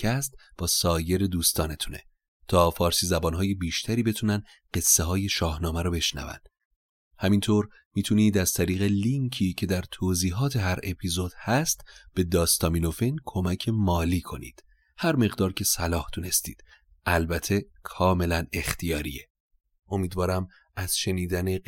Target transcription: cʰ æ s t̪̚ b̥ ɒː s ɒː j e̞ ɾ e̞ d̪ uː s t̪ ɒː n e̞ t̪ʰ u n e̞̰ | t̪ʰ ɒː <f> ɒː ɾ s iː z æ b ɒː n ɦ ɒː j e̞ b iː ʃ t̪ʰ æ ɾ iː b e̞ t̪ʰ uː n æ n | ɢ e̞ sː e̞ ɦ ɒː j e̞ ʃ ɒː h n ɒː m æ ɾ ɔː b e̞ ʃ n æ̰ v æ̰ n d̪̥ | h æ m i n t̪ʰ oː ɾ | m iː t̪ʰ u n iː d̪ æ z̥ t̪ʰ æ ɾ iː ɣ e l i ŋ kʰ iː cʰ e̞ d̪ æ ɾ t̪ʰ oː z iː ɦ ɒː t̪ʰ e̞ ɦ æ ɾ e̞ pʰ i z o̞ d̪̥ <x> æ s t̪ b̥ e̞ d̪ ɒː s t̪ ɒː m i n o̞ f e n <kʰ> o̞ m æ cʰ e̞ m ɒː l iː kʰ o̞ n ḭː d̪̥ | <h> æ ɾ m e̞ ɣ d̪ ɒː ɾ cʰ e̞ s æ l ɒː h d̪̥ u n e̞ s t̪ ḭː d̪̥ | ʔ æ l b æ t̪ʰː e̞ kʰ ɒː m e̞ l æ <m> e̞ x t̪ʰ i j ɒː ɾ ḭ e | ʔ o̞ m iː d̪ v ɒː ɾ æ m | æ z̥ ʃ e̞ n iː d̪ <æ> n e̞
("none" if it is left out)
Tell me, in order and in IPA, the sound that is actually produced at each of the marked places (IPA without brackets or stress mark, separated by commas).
f, h, kʰ, h, n, æ